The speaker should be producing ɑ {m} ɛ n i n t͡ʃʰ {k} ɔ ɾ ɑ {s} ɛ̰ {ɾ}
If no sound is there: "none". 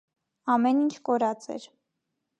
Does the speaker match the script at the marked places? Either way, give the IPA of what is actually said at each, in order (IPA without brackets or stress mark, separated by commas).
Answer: m, k, t͡s, ɾ